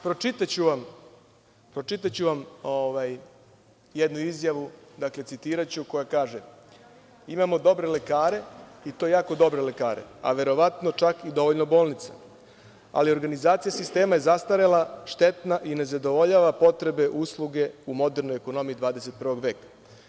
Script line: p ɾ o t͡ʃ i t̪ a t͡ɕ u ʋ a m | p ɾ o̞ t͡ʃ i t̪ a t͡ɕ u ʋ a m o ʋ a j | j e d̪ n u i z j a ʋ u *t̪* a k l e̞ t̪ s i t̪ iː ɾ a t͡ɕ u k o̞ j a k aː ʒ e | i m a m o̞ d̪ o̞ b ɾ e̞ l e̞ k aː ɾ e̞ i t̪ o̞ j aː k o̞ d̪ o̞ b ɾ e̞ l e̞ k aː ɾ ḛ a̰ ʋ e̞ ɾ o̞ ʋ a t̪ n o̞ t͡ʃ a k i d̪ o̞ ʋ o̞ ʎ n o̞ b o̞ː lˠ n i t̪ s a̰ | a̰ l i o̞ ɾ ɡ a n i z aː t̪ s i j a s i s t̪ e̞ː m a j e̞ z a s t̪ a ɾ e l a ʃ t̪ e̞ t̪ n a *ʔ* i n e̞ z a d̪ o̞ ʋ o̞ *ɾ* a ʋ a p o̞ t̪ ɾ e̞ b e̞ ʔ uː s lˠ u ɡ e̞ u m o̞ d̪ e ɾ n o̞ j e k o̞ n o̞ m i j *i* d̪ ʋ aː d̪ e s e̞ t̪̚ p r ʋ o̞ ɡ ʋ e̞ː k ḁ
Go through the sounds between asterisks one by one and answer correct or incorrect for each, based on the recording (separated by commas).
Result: incorrect, correct, incorrect, correct